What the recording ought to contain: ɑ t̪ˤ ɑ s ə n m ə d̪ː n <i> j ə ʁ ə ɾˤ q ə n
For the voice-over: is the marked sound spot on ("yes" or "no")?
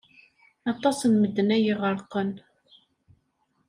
no